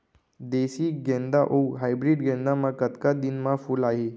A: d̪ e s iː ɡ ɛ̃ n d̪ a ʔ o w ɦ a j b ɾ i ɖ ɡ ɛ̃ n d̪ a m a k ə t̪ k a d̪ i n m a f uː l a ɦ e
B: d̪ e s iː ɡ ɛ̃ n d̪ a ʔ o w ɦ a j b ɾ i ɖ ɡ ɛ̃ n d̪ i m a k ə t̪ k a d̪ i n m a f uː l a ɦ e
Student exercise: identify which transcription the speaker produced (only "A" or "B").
A